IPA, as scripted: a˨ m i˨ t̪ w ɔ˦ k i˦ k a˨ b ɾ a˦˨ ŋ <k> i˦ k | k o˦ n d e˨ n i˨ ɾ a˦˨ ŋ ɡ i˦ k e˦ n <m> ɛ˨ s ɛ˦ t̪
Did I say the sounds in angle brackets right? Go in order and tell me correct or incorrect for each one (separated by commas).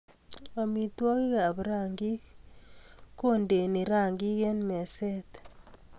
incorrect, correct